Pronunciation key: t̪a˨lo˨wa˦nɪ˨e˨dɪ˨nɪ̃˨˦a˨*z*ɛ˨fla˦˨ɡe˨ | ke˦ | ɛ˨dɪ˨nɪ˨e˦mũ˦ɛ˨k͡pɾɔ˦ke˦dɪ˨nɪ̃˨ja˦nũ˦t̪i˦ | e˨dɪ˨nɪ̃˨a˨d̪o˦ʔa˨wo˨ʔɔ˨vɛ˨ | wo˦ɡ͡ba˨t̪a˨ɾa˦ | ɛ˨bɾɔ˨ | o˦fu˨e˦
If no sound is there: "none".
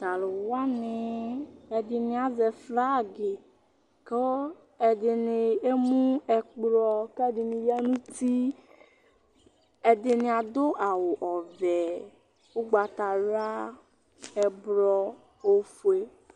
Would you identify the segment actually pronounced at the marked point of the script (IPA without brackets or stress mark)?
z